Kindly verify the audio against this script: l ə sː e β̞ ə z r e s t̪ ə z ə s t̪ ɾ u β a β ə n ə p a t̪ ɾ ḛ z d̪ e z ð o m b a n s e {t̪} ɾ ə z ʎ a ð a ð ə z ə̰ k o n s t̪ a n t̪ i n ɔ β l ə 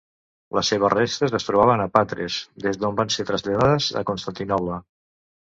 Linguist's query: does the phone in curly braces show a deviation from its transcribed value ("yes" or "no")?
no